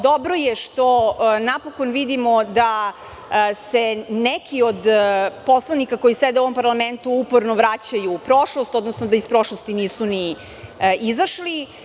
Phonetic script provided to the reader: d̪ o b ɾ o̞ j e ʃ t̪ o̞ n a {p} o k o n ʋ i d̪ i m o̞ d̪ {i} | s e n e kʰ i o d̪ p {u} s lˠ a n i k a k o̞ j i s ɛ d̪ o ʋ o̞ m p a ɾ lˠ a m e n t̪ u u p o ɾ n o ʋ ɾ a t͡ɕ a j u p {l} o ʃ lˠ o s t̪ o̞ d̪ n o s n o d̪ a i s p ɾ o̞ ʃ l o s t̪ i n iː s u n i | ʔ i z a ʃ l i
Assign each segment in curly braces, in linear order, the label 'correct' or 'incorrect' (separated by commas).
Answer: correct, incorrect, incorrect, incorrect